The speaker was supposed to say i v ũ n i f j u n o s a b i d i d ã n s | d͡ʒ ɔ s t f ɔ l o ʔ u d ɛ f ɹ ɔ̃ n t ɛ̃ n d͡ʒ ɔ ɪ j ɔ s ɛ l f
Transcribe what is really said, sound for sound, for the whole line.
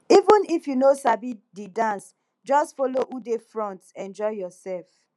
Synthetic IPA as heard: i v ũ n i f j u n o s a b i d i d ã n s | d͡ʒ ɔ s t f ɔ l o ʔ u d e f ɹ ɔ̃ n t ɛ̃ n d͡ʒ ɔ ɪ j ɔ s ɛ l f